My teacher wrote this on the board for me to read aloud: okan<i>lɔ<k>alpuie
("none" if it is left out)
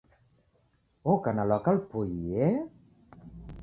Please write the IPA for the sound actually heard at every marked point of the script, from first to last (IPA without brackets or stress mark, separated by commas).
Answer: a, k